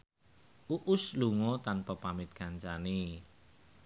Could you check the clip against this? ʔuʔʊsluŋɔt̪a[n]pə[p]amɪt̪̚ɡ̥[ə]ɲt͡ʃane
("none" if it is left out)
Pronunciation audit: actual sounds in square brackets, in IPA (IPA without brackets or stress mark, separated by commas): n, p, a